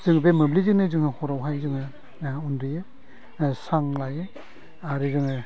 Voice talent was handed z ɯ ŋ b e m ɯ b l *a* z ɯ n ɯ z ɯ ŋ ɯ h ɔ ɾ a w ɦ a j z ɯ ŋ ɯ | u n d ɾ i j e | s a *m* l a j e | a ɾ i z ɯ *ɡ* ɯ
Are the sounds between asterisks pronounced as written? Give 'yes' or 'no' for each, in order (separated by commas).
no, no, no